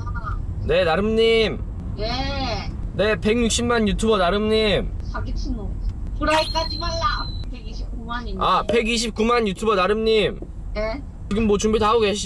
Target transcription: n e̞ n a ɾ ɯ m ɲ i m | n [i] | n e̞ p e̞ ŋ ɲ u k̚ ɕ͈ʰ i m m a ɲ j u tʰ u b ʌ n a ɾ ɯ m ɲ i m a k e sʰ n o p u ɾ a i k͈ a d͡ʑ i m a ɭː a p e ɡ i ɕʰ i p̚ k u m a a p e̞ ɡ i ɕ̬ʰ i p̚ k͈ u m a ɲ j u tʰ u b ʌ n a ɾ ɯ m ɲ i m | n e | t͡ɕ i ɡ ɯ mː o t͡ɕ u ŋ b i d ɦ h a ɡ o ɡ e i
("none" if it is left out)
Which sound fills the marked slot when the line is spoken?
e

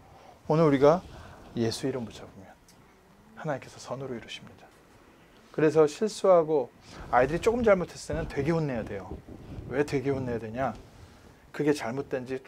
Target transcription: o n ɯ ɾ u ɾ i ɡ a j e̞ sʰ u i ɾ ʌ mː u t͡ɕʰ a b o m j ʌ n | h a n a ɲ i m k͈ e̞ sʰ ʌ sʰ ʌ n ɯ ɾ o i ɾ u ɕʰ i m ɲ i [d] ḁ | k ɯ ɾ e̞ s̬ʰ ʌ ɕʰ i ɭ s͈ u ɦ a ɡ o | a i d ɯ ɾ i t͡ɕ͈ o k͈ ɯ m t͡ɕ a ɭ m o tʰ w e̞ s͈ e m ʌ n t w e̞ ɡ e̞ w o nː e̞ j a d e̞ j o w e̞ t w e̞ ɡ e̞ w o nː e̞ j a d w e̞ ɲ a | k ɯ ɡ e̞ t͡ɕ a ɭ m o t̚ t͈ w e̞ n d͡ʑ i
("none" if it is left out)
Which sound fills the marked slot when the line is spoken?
d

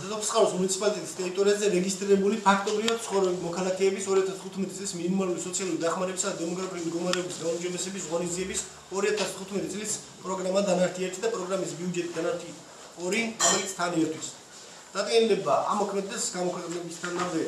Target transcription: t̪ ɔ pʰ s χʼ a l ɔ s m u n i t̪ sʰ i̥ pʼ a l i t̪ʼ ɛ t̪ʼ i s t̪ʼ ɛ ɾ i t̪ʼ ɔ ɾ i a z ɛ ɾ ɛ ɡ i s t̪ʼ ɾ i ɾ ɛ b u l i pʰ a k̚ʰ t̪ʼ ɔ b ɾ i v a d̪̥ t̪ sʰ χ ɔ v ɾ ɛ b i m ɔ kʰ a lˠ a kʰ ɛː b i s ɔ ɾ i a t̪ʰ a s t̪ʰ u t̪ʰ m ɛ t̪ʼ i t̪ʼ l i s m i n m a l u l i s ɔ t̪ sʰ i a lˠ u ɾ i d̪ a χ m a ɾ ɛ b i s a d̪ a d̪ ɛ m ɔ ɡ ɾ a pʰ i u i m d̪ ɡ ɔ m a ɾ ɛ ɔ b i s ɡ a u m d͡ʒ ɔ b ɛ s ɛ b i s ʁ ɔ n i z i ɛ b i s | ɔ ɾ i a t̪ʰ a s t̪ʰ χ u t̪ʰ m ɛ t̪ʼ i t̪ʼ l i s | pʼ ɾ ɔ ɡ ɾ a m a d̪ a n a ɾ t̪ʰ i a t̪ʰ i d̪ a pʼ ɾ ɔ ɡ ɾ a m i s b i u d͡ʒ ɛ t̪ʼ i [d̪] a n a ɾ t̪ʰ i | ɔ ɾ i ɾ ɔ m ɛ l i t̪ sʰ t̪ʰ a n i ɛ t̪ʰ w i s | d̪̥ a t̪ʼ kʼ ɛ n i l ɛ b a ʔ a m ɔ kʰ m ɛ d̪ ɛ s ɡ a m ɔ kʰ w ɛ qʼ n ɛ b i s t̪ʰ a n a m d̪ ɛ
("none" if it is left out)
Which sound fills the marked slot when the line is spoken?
d̪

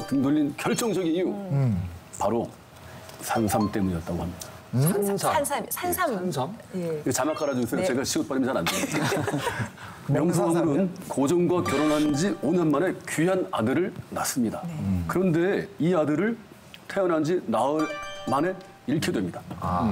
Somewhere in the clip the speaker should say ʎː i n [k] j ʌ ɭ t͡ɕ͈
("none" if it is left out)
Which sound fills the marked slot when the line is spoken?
k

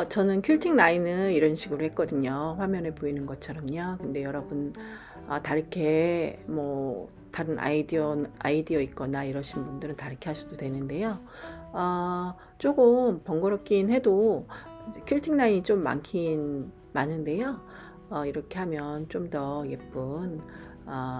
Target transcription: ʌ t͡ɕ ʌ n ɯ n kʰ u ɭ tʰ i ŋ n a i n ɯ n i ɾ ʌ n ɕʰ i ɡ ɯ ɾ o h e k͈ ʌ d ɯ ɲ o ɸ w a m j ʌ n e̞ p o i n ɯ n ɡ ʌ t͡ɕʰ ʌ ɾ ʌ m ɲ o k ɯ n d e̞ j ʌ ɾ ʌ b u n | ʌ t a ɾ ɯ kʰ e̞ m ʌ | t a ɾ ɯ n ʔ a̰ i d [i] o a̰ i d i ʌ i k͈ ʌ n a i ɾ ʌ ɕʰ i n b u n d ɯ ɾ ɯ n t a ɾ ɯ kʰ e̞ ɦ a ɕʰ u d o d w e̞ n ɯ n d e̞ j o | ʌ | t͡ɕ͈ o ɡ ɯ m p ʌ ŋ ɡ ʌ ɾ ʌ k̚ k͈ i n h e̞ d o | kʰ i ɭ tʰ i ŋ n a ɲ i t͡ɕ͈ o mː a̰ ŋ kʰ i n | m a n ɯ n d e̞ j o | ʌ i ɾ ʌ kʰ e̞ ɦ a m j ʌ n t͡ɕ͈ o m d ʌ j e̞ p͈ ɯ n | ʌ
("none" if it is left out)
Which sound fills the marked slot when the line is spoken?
i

